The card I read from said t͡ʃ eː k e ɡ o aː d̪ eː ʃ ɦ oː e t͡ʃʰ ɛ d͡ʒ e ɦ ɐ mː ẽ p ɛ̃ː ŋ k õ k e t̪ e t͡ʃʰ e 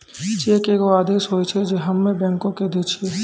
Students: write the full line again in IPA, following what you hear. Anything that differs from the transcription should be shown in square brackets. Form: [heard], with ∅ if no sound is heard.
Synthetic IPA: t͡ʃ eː k e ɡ o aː d̪ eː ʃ ɦ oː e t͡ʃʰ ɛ d͡ʒ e ɦ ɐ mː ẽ [b] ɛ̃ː ŋ k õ k e [d̪] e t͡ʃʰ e